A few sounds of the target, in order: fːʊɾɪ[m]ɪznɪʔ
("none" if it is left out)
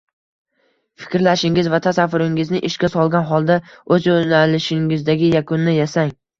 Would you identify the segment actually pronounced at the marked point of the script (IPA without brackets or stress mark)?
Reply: ŋ